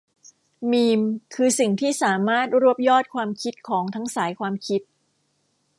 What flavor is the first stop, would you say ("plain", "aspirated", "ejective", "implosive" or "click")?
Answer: aspirated